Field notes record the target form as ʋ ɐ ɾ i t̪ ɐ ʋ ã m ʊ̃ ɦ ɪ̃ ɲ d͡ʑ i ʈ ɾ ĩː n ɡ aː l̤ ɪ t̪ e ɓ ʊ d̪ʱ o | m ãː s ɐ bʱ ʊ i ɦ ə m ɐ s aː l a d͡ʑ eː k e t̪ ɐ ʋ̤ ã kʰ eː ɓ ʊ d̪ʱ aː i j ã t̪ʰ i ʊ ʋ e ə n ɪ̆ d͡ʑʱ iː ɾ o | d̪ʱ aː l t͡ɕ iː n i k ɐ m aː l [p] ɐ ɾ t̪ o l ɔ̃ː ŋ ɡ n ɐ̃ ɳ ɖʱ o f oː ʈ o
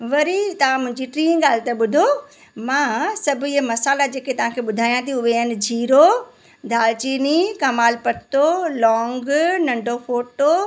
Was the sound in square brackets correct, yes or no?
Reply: yes